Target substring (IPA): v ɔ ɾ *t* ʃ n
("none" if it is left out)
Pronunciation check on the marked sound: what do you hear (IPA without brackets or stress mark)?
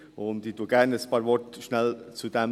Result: t